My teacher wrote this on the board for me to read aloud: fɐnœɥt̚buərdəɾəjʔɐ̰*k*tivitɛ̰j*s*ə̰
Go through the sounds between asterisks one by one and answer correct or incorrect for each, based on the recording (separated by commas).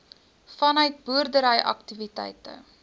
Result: correct, incorrect